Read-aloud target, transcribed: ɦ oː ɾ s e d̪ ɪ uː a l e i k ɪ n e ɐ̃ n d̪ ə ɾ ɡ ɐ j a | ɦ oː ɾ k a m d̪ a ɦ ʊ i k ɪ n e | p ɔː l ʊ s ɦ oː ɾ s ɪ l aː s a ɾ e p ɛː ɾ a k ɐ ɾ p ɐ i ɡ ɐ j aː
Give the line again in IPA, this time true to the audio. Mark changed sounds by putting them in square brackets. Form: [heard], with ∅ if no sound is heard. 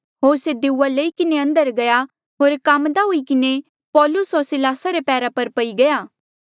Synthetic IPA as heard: ɦ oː ɾ s e d̪ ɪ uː a l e i k ɪ n e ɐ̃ n d̪ ə ɾ ɡ ɐ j a | ɦ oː ɾ k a m d̪ a ɦ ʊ i k ɪ n e | p ɔː l ʊ s ɦ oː ɾ s ɪ l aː s a ɾ e p ɛː ɾ a [p] ɐ ɾ p ɐ i ɡ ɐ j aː

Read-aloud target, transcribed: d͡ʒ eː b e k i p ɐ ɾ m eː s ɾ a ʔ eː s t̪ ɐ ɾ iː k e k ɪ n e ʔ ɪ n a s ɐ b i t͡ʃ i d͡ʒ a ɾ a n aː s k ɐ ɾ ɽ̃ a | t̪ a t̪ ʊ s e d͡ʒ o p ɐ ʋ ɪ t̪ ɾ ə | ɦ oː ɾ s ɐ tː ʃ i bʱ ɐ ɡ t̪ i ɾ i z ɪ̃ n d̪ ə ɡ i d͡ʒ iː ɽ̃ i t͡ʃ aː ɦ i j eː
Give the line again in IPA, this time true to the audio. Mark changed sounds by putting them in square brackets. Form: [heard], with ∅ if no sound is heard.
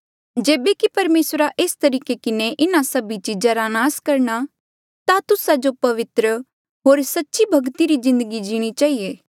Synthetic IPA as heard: d͡ʒ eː b e k i p ɐ ɾ m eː s ɾ a ʔ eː s t̪ ɐ ɾ iː k e k ɪ n e ʔ ɪ n a s ɐ b i t͡ʃ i d͡ʒ a ɾ a n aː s k ɐ ɾ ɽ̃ a | t̪ a t̪ ʊ s [a] d͡ʒ o p ɐ ʋ ɪ t̪ ɾ ə | ɦ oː ɾ s ɐ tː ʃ i bʱ ɐ ɡ t̪ i ɾ i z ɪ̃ n d̪ ə ɡ i d͡ʒ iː ɽ̃ i t͡ʃ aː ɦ i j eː

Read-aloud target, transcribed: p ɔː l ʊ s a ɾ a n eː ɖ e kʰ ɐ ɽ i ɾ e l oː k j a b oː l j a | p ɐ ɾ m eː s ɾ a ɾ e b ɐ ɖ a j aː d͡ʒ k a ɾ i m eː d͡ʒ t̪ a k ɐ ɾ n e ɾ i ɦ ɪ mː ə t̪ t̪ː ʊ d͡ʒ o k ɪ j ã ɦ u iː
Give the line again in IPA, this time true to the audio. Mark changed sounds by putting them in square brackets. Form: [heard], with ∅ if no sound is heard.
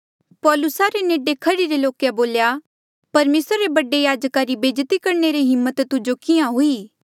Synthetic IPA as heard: p ɔː l ʊ s a ɾ [e] n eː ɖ e kʰ ɐ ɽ i ɾ e l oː k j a b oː l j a | p ɐ ɾ m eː s ɾ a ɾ e b ɐ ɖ [e] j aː d͡ʒ k a ɾ i [b] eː d͡ʒ t̪ [i] k ɐ ɾ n e ɾ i ɦ ɪ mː ə t̪ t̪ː ʊ d͡ʒ o k ɪ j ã ɦ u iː

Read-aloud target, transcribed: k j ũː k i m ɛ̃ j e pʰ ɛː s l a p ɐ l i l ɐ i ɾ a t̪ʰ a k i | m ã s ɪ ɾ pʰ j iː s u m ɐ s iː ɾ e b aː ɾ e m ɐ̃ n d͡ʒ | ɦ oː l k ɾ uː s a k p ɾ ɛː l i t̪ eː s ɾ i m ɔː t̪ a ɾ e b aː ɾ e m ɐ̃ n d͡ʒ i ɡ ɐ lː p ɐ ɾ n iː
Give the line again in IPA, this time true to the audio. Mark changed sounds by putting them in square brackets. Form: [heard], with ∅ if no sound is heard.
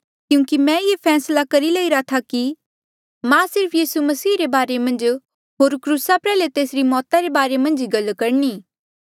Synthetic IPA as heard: k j ũː k i m ɛ̃ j e pʰ ɛː s l a [k] ɐ [ɾ] i l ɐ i ɾ a t̪ʰ a k i | m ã s ɪ ɾ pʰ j iː s u m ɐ s iː ɾ e b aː ɾ e m ɐ̃ n d͡ʒ | ɦ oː [ɾ] k ɾ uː s a [∅] p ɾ ɛː l [e] t̪ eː s ɾ i m ɔː t̪ a ɾ e b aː ɾ e m ɐ̃ n d͡ʒ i ɡ ɐ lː [k] ɐ ɾ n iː

